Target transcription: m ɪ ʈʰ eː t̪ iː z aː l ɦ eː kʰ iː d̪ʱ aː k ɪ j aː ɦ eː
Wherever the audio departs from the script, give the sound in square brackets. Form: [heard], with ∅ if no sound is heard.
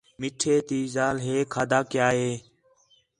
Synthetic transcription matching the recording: m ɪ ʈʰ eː t̪ iː z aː l ɦ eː kʰ [aː] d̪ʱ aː k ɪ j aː ɦ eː